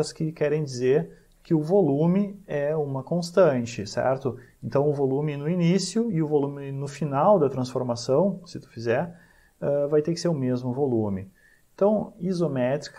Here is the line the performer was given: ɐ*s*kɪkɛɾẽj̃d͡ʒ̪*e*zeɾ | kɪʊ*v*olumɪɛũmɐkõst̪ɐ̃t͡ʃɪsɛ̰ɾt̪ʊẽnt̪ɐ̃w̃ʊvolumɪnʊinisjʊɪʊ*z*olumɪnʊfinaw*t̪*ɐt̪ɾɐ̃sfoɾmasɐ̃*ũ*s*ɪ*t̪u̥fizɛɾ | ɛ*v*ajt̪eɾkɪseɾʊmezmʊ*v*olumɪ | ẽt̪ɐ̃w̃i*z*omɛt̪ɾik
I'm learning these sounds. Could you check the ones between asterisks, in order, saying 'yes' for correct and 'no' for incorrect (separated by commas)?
yes, no, yes, no, no, no, yes, yes, yes, yes